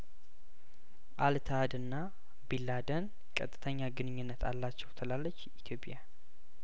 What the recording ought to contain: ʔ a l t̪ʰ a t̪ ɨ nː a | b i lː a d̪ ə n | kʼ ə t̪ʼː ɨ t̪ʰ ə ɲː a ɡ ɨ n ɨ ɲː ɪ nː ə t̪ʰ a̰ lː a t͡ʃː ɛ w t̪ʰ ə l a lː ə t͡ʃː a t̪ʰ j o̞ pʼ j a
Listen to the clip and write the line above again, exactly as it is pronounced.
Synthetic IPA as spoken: ʔ a l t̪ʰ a d̪ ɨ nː a | b i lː a d̪ ə n | kʼ ə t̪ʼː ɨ t̪ʰ ə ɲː a ɡ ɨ n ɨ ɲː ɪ nː ə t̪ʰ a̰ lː a t͡ʃː ɛ w t̪ʰ ə l a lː ə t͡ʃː i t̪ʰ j o̞ pʼ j a